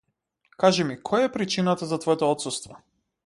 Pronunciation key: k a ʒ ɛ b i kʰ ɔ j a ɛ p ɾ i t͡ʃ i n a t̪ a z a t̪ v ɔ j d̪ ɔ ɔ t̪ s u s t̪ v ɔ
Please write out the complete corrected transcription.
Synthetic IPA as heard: k a ʒ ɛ m i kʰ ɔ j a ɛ p ɾ i t͡ʃ i n a t̪ a z a t̪ v ɔ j t̪ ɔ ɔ t̪ s u s t̪ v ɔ